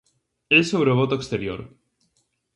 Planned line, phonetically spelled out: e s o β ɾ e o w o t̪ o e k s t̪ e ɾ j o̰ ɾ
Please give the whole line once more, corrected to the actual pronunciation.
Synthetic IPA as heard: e s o β ɾ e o β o t̪ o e k s t̪ e ɾ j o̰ ɾ